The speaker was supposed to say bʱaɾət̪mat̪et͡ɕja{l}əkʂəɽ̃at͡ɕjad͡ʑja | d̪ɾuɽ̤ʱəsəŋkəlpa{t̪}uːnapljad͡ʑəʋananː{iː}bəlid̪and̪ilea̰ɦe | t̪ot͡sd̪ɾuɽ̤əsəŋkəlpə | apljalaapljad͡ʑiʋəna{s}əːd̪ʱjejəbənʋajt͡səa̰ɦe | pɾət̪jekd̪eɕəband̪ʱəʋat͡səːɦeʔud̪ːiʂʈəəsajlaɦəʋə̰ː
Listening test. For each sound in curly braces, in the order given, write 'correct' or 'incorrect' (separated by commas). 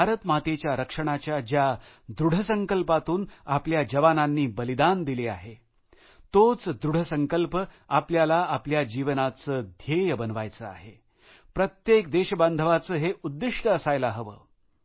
incorrect, correct, correct, incorrect